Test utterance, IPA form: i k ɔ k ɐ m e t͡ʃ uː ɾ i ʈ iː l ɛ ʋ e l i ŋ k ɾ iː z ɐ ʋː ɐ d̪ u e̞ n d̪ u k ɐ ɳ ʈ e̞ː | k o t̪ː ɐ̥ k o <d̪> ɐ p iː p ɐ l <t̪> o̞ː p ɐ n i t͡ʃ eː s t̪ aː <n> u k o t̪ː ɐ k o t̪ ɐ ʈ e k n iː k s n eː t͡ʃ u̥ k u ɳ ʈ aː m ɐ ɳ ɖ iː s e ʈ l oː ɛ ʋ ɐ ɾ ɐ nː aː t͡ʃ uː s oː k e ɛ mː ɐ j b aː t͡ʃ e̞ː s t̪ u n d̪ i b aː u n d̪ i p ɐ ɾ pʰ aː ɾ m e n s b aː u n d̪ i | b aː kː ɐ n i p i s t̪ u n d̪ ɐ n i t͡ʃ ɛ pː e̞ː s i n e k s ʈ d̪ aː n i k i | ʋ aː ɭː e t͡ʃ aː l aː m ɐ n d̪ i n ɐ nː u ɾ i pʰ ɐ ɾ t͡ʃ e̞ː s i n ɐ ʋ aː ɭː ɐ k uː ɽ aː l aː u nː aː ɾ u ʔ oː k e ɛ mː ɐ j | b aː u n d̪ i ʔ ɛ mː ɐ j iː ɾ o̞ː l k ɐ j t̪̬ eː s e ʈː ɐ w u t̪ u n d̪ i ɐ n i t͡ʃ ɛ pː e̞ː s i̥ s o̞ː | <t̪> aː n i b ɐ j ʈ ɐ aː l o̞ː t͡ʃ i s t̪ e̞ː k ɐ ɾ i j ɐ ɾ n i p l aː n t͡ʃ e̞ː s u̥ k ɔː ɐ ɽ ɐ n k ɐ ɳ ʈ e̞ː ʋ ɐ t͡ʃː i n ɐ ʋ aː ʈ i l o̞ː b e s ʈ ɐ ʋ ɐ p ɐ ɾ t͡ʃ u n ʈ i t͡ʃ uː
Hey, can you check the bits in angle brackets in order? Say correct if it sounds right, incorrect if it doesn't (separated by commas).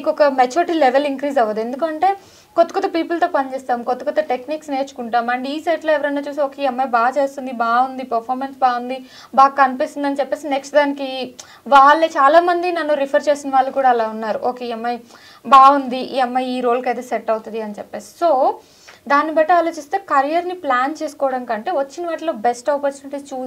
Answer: incorrect, correct, incorrect, incorrect